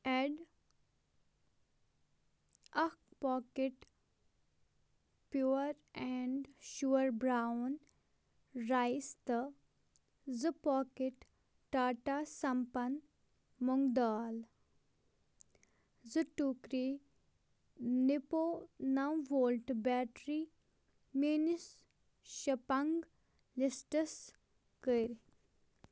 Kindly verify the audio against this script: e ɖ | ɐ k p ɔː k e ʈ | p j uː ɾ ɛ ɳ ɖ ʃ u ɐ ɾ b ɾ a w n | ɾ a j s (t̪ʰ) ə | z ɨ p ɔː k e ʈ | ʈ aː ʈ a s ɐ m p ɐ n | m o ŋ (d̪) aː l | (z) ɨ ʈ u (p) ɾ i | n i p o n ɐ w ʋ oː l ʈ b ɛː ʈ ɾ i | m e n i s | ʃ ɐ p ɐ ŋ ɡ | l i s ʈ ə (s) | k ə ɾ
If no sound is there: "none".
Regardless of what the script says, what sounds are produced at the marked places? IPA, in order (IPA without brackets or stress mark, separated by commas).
t̪, d̪, z, k, s